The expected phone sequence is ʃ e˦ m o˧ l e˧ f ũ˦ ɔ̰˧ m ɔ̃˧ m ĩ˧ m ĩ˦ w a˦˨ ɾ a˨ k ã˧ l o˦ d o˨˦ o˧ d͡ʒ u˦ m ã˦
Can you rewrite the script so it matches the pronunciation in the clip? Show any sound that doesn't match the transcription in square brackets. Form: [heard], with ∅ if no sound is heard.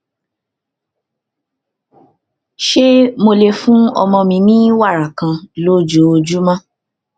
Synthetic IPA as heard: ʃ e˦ m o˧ l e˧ f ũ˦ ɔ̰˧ m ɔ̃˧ m ĩ˧ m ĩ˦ w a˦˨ ɾ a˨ k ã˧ l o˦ [d͡ʒ] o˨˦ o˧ d͡ʒ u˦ m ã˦